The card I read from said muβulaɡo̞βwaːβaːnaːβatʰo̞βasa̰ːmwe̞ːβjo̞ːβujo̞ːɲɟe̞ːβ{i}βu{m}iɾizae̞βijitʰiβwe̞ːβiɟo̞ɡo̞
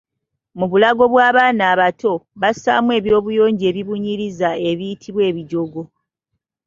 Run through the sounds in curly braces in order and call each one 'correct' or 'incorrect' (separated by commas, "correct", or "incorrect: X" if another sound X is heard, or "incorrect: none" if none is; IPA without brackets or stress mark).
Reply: correct, incorrect: ɲ